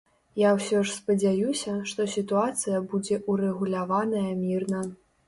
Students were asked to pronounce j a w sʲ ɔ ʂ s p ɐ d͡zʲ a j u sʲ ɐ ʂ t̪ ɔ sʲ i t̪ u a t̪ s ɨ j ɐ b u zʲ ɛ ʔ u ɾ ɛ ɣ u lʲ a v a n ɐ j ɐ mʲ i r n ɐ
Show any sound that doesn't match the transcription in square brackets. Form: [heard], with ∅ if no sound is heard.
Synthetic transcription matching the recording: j a w sʲ ɔ ʂ s p ɐ d͡zʲ a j u sʲ ɐ ʂ t̪ ɔ sʲ i t̪ u a t̪ s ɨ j ɐ b u [d͡zʲ] ɛ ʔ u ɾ ɛ ɣ u lʲ a v a n ɐ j ɐ mʲ i r n ɐ